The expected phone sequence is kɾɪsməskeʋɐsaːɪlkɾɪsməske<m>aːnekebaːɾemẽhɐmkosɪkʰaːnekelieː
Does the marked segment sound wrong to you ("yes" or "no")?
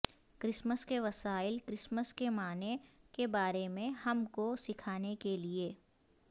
no